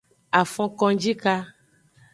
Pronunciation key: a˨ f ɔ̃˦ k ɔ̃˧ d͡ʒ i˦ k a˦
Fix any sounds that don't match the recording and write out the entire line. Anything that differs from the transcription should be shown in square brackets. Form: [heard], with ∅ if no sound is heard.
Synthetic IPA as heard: a˨ f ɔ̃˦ k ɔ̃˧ d͡ʒ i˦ k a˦